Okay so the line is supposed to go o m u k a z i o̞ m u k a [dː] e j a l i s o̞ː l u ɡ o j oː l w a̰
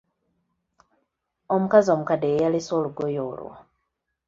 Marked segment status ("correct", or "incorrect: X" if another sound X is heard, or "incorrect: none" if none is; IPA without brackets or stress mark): incorrect: d